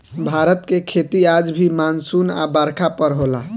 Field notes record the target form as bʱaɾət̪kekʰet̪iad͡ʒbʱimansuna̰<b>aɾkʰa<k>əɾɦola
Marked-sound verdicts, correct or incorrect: correct, incorrect

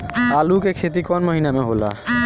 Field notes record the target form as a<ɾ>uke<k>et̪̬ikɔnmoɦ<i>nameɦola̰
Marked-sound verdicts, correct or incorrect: incorrect, incorrect, correct

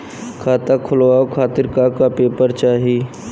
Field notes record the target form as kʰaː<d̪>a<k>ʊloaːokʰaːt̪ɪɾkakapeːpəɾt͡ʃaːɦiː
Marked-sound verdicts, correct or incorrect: incorrect, incorrect

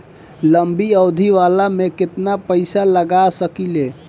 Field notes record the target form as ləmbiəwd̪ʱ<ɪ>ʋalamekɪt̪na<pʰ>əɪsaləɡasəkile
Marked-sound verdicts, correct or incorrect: incorrect, incorrect

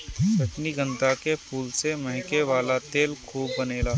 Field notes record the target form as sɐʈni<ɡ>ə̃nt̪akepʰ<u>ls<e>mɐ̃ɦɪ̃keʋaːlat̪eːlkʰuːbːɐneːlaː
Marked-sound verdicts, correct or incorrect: correct, incorrect, correct

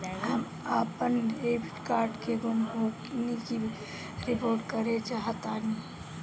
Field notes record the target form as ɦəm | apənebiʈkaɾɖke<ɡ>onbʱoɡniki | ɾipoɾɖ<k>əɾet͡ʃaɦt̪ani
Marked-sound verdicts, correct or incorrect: correct, correct

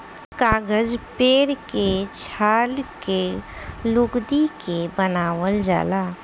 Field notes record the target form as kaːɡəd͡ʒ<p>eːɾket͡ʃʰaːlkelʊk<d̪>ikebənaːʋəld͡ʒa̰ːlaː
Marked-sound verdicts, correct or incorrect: correct, correct

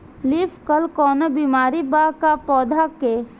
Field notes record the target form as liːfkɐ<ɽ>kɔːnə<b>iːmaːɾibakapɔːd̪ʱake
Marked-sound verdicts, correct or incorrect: incorrect, correct

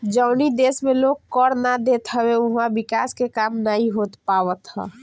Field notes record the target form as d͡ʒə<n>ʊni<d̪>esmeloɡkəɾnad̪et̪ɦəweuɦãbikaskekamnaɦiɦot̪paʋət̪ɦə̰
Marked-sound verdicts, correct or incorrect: incorrect, correct

